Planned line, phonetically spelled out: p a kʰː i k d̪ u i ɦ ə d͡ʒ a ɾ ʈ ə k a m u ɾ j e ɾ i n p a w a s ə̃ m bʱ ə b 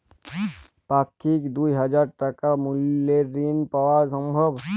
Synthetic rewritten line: p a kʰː i k d̪ u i ɦ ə d͡ʒ a ɾ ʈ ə k a m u l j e ɾ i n p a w a s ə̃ m bʱ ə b